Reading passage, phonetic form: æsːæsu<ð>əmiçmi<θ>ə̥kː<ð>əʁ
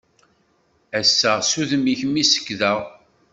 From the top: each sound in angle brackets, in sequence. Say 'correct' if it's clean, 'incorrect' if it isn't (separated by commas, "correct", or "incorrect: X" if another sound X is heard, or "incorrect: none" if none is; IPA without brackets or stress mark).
correct, incorrect: s, correct